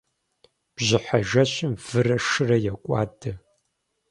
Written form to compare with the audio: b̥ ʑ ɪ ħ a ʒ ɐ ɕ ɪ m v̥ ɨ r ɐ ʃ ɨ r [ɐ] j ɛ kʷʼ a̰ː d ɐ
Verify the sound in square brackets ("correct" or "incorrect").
correct